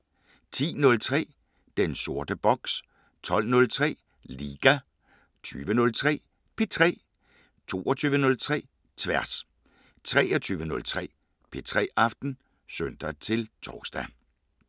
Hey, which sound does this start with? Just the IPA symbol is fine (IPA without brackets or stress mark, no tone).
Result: t͡sʰ